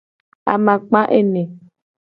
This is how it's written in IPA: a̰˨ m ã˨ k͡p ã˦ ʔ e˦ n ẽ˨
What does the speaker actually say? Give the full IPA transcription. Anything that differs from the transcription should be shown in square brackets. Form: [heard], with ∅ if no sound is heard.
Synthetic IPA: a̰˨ m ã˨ k͡p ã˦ ʔ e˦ n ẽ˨